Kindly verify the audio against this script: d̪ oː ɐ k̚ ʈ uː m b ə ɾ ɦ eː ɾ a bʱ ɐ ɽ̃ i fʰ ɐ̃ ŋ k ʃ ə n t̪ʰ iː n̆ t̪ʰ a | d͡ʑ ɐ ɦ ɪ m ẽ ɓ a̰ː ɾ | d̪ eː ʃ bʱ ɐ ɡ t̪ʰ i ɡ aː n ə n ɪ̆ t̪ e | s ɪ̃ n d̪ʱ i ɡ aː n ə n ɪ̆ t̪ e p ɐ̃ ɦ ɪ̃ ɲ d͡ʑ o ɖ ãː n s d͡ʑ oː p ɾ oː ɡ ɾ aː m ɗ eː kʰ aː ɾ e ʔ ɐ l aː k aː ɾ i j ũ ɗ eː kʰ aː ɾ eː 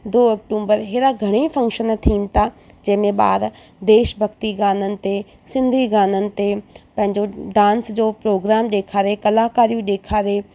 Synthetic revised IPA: d̪ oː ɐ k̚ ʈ uː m b ə ɾ ɦ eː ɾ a ɡʱ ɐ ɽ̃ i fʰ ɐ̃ ŋ k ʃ ə n t̪ʰ iː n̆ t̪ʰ a | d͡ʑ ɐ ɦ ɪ m ẽ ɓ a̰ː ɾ | d̪ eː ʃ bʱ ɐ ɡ t̪ i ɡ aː n ə n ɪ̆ t̪ e | s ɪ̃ n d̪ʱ i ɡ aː n ə n ɪ̆ t̪ e p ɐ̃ ɦ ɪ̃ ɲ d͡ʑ o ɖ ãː n s d͡ʑ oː p ɾ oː ɡ ɾ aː m ɗ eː kʰ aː ɾ e k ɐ l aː k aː ɾ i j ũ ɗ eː kʰ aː ɾ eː